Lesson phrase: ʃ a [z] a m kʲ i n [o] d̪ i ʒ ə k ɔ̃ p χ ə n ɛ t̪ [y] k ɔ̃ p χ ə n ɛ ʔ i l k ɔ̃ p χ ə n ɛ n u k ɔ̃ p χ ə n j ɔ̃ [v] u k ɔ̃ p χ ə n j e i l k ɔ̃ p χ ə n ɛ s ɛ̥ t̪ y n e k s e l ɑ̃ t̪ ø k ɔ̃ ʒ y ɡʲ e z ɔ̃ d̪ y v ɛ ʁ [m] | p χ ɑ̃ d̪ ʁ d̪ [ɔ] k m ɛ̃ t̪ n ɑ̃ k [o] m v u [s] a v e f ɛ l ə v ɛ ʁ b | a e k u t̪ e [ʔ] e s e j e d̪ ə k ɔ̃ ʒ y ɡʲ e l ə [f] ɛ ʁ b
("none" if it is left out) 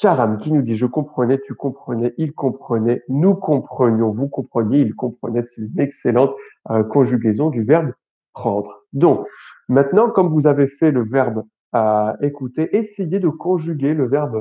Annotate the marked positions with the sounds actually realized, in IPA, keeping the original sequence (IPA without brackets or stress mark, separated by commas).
ʁ, u, y, v, b, ɔ̃, ɔ, z, ʔ, v